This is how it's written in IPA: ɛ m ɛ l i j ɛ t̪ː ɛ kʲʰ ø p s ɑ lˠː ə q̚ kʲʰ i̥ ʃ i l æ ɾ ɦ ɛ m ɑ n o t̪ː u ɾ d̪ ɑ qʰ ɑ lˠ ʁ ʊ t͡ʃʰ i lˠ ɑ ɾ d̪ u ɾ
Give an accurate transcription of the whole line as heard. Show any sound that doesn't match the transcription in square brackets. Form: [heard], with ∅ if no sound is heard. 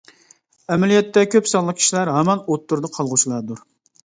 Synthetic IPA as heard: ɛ m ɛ l i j ɛ t̪ː ɛ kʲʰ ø p s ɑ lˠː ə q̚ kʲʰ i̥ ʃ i l æ ɾ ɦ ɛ m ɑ n o t̪ː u ɾ d̪ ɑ qʰ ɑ lˠ ʁ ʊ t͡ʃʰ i lˠ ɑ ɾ d̪ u ɾ